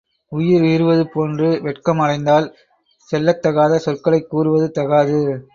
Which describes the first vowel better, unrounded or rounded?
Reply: rounded